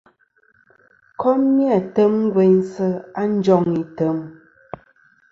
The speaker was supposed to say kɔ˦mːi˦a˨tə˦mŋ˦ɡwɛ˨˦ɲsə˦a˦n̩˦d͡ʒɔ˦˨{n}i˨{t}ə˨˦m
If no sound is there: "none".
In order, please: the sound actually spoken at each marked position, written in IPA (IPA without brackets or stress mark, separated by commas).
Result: ŋ, t